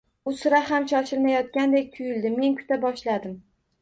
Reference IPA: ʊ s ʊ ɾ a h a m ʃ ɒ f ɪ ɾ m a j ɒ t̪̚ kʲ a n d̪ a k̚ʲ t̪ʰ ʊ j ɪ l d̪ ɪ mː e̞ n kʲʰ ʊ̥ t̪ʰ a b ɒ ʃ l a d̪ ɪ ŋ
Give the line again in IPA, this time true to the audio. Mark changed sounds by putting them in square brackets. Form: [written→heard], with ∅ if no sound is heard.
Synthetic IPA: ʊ s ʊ ɾ a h a m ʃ ɒ [f→ʃ] ɪ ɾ m a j ɒ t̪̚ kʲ a n d̪ [a→e] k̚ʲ t̪ʰ ʊ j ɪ l d̪ ɪ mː e̞ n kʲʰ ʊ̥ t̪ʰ a b ɒ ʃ l a d̪ ɪ [ŋ→m]